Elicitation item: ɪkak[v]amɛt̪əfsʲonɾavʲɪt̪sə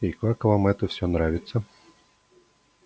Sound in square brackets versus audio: correct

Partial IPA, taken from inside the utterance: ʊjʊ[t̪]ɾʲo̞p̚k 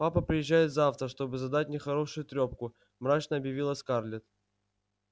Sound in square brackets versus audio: correct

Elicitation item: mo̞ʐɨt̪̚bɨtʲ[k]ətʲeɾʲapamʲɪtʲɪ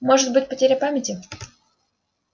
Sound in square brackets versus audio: incorrect: p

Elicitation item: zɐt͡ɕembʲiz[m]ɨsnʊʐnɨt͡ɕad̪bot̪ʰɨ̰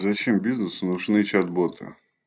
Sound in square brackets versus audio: incorrect: n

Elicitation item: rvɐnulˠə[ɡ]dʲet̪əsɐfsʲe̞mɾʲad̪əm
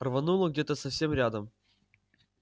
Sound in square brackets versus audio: correct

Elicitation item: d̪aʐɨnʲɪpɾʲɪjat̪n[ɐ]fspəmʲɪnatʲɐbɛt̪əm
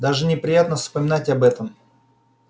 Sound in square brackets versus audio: incorrect: ə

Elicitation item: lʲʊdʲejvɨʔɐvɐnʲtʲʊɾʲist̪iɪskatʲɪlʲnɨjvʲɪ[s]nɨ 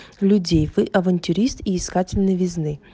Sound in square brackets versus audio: incorrect: z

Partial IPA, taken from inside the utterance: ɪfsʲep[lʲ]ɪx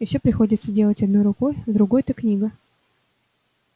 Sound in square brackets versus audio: incorrect: ɾʲ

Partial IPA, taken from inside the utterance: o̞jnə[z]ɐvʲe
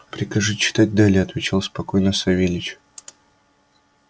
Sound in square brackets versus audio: incorrect: s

